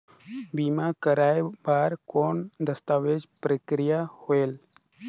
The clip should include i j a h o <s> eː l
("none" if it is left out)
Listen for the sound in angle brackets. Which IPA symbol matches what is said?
none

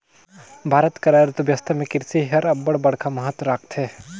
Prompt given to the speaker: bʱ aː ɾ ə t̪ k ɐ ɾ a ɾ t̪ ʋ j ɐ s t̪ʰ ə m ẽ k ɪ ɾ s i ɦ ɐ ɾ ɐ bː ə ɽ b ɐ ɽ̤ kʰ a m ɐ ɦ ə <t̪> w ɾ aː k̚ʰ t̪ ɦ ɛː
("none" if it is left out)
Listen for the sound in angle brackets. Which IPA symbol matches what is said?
t̪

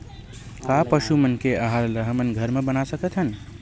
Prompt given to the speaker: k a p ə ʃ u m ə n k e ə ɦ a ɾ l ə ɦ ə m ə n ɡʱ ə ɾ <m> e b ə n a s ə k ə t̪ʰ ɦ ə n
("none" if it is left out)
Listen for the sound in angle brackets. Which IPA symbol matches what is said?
m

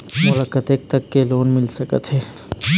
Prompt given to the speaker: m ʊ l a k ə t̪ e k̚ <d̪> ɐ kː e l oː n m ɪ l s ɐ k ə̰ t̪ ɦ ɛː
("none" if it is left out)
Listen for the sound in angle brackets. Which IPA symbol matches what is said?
t̪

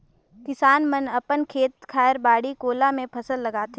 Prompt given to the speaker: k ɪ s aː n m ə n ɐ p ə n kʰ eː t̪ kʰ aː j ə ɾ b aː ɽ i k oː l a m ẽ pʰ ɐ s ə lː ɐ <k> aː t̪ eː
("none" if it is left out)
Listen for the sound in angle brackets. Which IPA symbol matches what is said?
ɡ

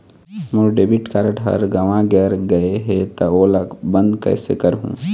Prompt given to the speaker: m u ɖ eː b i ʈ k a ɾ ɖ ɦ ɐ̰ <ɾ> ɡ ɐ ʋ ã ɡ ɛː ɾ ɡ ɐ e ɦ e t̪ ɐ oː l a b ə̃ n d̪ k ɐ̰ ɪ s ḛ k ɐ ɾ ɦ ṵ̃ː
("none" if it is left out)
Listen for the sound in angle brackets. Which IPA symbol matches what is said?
ɾ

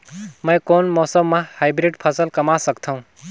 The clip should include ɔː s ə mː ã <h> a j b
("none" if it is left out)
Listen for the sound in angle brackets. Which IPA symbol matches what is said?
h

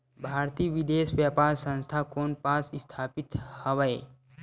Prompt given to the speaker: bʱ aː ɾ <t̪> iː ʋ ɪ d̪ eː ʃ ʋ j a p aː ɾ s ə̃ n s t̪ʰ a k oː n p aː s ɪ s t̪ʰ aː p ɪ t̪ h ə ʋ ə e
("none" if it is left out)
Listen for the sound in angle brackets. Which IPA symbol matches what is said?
t̪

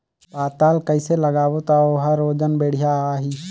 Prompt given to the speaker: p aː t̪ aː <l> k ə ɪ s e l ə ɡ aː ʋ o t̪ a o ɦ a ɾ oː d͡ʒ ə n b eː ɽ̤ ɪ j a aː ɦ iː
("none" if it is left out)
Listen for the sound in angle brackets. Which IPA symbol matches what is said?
l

